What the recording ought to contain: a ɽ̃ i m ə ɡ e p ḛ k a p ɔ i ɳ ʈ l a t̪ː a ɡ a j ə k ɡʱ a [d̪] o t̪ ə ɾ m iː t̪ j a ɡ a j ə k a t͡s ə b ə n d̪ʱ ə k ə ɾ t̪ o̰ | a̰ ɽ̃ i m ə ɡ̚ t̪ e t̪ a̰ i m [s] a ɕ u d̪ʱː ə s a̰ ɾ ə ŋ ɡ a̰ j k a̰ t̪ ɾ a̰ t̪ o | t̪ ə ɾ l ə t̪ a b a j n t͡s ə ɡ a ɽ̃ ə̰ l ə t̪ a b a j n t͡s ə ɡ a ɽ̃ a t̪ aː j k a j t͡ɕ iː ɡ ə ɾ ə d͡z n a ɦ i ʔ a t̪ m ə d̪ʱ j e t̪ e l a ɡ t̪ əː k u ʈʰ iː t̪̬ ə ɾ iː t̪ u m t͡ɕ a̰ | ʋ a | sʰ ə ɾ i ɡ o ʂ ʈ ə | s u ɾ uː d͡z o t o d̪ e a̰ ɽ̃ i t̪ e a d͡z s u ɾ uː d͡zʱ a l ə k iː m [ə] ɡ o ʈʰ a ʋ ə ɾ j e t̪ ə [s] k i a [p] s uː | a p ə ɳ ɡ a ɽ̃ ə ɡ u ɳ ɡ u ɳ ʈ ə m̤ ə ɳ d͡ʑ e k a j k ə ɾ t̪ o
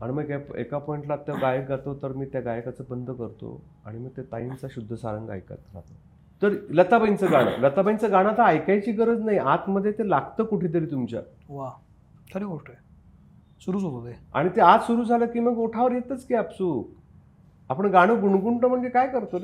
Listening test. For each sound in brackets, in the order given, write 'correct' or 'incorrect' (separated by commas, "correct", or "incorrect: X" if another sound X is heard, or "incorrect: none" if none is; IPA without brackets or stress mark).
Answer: incorrect: t̪, incorrect: t͡s, correct, incorrect: t͡s, correct